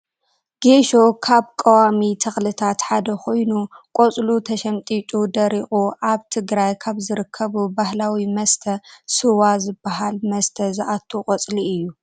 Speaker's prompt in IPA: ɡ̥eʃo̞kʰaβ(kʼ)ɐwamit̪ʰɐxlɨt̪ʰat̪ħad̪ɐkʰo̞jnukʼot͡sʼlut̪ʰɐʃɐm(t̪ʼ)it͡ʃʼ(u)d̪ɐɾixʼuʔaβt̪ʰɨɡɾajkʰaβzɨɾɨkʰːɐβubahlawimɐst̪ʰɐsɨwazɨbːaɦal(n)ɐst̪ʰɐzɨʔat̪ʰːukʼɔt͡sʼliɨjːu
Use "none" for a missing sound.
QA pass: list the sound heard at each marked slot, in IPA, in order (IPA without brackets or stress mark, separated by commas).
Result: kʼ, t̪ʼ, u, m